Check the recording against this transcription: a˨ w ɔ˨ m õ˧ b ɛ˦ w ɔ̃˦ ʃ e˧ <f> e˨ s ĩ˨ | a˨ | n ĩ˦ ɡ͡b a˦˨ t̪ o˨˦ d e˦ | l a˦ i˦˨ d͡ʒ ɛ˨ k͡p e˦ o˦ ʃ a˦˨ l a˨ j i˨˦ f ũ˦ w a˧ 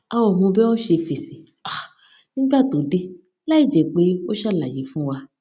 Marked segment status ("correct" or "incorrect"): correct